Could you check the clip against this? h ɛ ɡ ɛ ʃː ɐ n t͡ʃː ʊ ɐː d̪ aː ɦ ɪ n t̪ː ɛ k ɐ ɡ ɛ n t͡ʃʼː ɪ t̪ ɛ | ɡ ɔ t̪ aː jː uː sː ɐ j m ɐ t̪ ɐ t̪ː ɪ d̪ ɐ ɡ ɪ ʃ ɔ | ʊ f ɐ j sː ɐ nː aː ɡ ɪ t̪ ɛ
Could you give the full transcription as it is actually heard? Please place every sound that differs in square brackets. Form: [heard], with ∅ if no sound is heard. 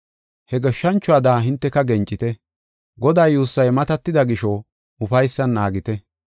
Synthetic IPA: h ɛ ɡ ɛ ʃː ɐ n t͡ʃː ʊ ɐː d̪ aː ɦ ɪ n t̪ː ɛ k ɐ ɡ ɛ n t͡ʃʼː ɪ t̪ ɛ | ɡ ɔ [d̪] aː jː uː sː ɐ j m ɐ t̪ ɐ t̪ː ɪ d̪ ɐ ɡ ɪ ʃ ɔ | ʊ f ɐ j sː ɐ nː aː ɡ ɪ t̪ ɛ

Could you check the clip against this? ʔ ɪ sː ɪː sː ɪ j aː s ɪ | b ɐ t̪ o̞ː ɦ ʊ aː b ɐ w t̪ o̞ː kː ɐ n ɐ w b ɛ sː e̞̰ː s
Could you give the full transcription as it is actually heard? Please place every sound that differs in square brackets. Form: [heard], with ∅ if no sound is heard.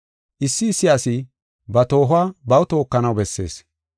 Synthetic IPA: ʔ ɪ sː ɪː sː ɪ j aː s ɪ | b ɐ t̪ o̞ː ɦ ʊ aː b ɐ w t̪ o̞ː kː ɐ n ɐ w b ɛ sː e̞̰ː s

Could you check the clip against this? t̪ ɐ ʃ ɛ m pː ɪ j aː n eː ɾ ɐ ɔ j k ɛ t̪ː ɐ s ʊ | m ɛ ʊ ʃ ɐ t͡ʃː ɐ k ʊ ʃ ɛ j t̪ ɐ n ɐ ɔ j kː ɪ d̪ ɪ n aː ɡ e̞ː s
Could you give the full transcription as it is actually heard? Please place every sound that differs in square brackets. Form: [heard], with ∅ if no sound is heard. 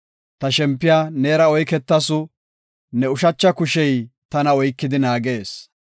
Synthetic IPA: t̪ ɐ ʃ ɛ m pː ɪ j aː n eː ɾ ɐ ɔ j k ɛ t̪ː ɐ s ʊ | [n] ɛ ʊ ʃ ɐ t͡ʃː ɐ k ʊ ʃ ɛ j t̪ ɐ n ɐ ɔ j kː ɪ d̪ ɪ n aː ɡ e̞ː s

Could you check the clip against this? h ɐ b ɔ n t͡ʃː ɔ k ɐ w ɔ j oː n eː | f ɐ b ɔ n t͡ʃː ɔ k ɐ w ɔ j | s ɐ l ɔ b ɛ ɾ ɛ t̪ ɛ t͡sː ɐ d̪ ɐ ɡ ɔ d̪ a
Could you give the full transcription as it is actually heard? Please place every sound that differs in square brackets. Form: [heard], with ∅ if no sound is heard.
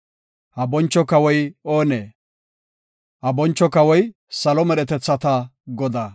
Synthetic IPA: h ɐ b ɔ n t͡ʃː ɔ k ɐ w ɔ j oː n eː | [h] ɐ b ɔ n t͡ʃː ɔ k ɐ w ɔ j | s ɐ l ɔ [m] ɛ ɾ ɛ t̪ ɛ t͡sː ɐ [t̪] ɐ ɡ ɔ d̪ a

